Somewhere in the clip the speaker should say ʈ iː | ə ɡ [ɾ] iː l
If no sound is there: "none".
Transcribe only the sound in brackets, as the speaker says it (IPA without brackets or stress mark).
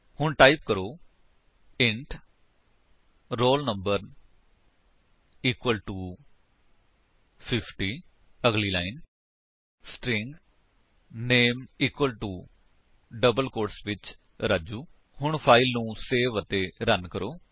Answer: l